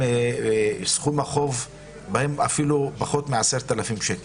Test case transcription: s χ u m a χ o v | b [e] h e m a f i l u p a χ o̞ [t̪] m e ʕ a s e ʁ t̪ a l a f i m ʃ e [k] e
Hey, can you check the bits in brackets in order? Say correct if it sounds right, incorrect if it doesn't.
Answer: incorrect: a, correct, correct

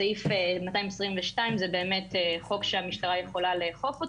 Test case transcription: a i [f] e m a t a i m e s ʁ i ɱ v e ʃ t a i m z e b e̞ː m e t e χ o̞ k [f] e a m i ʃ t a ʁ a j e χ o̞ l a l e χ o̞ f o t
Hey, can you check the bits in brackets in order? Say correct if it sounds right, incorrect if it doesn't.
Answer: correct, incorrect: ʃ

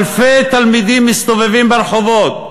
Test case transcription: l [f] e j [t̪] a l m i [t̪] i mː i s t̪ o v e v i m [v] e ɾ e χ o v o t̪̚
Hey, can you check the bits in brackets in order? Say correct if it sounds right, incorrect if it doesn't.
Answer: correct, correct, incorrect: d̪, incorrect: b

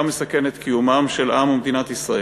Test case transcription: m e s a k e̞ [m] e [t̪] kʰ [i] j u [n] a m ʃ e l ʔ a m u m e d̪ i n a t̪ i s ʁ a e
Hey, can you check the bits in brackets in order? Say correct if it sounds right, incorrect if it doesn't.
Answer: incorrect: n, correct, correct, incorrect: m

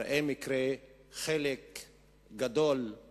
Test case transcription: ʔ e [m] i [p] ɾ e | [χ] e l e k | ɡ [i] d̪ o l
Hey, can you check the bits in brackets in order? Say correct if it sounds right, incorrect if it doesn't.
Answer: correct, incorrect: k, correct, incorrect: a

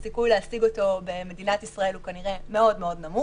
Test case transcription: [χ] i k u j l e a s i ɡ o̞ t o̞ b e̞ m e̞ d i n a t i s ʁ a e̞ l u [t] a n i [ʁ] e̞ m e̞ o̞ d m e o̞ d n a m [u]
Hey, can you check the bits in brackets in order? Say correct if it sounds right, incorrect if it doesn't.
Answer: incorrect: s, incorrect: k, correct, correct

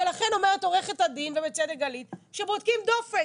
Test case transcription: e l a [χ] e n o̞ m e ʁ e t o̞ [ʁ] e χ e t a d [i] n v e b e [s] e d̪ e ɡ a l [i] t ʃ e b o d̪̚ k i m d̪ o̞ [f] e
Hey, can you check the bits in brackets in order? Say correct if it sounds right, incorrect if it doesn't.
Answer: correct, correct, correct, incorrect: t͡s, correct, correct

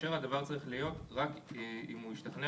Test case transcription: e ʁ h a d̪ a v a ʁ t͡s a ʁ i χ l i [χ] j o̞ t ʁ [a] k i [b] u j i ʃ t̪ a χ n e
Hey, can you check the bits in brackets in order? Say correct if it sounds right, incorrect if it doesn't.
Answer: incorrect: none, correct, incorrect: m

